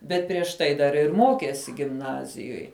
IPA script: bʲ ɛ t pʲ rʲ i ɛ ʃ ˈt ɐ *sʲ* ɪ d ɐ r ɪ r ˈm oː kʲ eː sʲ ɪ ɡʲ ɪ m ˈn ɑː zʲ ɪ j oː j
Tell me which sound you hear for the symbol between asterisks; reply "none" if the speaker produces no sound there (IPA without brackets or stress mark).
none